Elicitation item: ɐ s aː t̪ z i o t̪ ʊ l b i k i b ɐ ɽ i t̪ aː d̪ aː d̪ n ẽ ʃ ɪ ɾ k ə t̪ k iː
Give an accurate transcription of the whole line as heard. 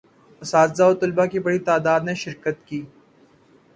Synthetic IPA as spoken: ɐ s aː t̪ z a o t̪ ʊ l b a k i b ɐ ɽ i t̪ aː d̪ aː d̪ n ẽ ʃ ɪ ɾ k ə t̪ k iː